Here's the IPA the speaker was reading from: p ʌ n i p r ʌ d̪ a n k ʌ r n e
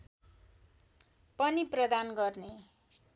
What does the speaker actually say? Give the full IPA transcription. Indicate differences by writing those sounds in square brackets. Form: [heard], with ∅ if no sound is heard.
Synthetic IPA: p ʌ n i p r ʌ d̪ a n [ɡ] ʌ r n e